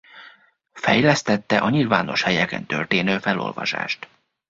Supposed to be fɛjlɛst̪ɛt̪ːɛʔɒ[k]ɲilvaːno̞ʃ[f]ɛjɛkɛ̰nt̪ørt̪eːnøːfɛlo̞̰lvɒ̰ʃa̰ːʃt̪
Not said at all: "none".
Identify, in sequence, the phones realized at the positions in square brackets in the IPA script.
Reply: none, h

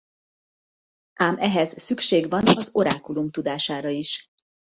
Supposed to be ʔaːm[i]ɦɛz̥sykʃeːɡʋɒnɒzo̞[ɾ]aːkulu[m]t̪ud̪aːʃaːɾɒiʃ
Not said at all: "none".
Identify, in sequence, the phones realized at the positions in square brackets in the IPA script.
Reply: ɛ, ɾ, m

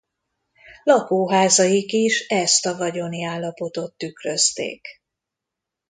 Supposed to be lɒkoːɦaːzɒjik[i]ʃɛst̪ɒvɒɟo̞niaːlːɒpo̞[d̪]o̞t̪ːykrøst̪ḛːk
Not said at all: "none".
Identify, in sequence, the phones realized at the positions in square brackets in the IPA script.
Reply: i, t̪

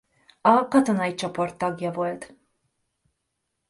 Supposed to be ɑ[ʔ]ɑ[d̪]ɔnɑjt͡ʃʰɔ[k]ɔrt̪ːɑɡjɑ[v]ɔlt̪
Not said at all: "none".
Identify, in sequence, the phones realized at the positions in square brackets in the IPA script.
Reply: k, t̪, p, v

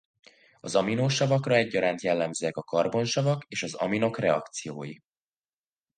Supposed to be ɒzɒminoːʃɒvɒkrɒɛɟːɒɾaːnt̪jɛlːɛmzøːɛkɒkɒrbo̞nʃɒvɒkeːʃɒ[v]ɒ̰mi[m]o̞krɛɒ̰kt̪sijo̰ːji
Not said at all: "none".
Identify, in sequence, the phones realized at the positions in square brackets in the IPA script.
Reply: z, n

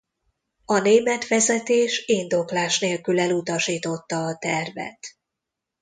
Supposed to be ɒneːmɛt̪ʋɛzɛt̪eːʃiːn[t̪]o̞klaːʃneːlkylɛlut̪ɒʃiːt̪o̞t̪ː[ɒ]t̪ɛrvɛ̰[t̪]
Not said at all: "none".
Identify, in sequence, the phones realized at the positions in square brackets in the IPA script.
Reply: d̪, ɒː, t̪

